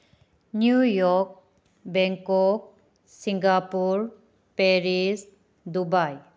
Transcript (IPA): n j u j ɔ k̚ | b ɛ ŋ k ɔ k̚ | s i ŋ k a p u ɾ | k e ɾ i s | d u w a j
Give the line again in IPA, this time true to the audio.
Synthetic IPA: n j u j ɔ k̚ | b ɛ ŋ k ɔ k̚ | s i ŋ ɡ a p u ɾ | p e ɾ i s | d u b a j